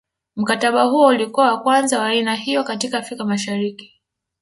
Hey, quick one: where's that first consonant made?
lips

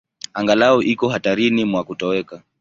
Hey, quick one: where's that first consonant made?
velum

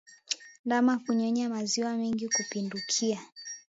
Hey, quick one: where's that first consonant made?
tongue tip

